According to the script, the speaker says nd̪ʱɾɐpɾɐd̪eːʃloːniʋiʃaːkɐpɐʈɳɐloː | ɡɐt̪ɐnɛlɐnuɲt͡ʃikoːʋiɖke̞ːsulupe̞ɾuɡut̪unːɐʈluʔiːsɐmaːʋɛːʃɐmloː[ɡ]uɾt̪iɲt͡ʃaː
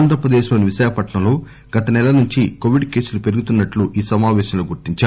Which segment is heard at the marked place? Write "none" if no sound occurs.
ɡ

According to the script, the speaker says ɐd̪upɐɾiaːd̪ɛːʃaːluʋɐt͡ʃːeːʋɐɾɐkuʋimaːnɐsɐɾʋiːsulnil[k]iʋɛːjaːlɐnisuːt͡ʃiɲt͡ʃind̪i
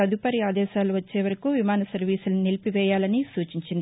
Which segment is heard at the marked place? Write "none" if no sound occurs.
p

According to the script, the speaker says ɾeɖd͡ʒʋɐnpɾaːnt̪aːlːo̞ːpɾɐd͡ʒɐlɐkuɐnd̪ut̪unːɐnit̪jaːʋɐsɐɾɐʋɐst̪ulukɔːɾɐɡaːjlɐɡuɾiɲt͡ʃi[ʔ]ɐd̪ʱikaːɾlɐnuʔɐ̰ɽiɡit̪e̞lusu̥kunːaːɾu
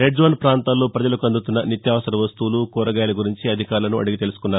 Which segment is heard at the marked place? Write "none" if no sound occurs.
none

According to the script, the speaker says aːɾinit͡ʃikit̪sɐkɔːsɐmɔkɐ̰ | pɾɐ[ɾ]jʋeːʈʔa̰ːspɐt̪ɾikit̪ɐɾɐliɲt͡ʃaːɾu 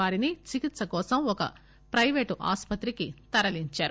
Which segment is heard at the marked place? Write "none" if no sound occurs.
none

